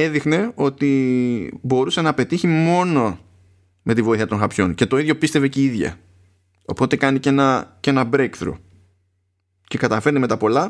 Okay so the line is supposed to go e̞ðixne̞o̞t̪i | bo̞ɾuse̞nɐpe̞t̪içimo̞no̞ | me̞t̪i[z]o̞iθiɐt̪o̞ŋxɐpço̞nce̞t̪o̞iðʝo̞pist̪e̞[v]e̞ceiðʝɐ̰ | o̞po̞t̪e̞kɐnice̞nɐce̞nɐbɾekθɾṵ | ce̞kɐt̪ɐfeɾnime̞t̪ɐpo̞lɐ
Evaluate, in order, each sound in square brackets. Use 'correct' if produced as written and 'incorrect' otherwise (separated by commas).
incorrect, correct